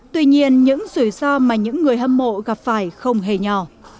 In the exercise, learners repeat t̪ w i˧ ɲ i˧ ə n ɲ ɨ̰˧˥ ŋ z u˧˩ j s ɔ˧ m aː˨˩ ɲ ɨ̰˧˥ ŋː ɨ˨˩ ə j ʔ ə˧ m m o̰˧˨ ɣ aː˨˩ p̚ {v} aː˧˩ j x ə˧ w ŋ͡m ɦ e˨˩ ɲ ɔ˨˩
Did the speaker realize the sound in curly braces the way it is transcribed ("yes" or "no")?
no